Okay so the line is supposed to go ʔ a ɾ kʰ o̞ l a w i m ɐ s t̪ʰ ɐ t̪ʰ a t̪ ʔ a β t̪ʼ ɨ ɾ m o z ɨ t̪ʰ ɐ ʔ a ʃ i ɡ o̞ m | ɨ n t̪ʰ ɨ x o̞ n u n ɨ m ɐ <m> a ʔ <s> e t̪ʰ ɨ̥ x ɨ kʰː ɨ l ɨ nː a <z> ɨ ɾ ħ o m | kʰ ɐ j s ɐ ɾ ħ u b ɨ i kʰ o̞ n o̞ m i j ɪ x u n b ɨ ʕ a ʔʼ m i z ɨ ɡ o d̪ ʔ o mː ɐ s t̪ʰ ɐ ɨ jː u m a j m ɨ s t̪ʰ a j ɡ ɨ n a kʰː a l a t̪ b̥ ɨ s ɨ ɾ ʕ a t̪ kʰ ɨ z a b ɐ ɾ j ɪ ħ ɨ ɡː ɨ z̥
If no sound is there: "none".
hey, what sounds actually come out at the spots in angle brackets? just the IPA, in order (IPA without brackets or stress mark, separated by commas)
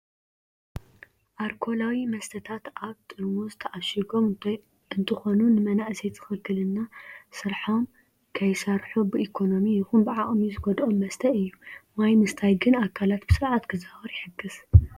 n, s, s